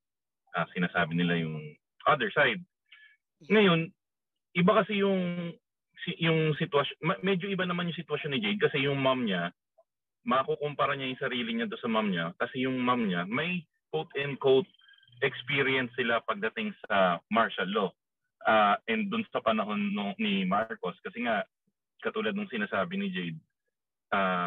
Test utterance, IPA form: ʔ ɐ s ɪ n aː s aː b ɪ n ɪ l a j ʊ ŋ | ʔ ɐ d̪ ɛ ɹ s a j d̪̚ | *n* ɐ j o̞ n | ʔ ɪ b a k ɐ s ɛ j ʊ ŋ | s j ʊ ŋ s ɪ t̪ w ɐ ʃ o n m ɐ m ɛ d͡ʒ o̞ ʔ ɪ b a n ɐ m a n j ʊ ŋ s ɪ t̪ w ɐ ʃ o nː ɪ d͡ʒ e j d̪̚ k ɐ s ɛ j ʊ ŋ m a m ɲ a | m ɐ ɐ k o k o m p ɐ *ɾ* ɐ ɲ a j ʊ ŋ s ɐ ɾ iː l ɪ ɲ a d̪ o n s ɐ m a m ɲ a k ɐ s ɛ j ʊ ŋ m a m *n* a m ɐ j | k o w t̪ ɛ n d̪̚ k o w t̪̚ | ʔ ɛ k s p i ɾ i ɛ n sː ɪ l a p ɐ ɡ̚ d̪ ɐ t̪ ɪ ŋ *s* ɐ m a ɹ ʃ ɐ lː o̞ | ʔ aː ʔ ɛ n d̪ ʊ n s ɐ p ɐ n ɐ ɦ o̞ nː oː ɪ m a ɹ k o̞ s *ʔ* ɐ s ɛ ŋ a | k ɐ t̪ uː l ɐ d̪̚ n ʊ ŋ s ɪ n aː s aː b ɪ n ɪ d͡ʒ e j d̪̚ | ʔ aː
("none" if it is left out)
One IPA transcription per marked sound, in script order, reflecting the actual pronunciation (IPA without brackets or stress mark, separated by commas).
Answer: ŋ, ɾ, ɲ, s, k